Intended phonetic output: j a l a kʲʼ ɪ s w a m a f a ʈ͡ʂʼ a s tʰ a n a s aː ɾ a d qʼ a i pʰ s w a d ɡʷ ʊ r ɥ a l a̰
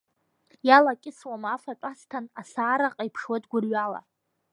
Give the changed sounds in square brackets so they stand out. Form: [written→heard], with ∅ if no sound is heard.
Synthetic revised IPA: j a l a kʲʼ ɪ s w a m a f a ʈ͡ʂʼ a s tʰ a n a s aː ɾ a [d→∅] qʼ a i pʰ [s→ʂ] w a d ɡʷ ʊ r ɥ a l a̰